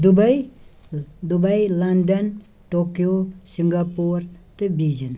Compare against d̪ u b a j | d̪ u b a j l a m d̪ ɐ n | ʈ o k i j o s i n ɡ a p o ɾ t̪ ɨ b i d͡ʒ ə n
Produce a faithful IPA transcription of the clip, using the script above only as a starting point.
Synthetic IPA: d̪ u b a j | d̪ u b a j l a n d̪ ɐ n | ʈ o k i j o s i ŋ ɡ a p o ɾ t̪ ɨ b i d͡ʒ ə n